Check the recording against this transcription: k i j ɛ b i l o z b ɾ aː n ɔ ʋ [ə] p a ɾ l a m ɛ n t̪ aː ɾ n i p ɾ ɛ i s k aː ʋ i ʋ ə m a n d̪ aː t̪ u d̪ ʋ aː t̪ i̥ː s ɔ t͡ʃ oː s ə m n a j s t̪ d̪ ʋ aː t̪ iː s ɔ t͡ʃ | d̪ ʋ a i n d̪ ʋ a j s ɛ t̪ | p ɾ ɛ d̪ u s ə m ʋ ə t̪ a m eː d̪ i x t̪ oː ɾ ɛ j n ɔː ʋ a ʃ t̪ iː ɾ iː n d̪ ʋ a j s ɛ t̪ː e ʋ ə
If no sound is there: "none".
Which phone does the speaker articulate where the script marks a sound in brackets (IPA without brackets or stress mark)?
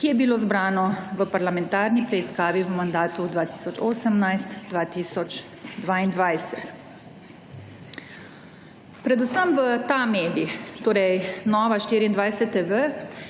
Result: ə